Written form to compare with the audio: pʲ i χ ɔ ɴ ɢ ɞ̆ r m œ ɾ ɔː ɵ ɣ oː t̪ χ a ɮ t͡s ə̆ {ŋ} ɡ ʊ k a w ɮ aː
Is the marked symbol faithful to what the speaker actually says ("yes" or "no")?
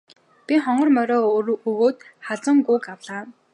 yes